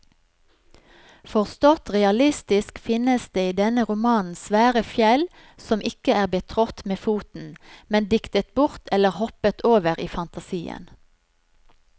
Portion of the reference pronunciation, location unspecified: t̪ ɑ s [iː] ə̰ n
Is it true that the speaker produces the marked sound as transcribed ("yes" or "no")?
yes